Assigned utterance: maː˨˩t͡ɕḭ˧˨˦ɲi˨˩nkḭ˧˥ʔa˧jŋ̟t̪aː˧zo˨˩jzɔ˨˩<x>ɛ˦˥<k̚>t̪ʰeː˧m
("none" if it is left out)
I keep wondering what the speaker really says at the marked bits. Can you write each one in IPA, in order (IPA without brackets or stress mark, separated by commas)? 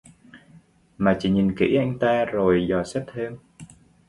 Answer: s, p̚